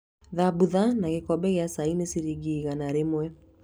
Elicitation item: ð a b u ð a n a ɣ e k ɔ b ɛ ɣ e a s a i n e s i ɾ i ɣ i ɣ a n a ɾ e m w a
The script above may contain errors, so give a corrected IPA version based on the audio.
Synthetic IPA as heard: ð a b u ð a n a ɣ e k ɔ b ɛ ɣ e a s a i n e s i ɾ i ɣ i ɣ a n a ɾ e m w ɛ